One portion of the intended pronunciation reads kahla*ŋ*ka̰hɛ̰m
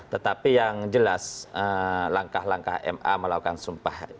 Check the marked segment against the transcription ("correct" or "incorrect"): correct